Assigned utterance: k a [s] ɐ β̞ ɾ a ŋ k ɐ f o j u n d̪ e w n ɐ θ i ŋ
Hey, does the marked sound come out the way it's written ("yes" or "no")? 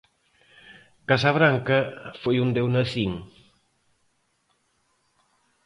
yes